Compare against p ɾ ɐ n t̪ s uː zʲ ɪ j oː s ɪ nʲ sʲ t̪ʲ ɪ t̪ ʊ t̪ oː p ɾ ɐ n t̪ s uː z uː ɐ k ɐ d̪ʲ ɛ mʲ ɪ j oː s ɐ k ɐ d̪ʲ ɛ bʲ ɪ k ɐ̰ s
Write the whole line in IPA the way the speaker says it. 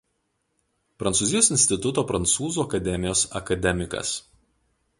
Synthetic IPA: p ɾ ɐ n t̪ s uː zʲ ɪ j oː s ɪ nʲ sʲ t̪ʲ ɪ t̪ ʊ t̪ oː p ɾ ɐ n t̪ s uː z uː ɐ k ɐ d̪ʲ ɛ mʲ ɪ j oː s ɐ k ɐ d̪ʲ ɛ mʲ ɪ k ɐ̰ s